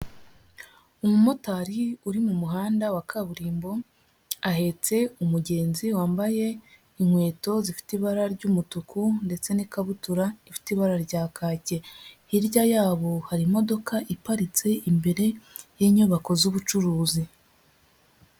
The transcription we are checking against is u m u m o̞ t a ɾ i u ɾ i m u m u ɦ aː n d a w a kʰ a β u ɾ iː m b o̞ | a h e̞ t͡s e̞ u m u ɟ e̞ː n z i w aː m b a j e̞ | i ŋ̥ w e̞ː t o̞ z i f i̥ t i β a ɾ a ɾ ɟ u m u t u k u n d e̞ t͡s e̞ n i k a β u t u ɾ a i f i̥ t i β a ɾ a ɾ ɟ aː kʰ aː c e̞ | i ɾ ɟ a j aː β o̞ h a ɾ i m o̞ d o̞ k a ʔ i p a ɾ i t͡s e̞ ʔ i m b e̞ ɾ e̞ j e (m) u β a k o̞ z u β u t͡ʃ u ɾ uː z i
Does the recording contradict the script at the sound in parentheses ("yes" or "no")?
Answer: yes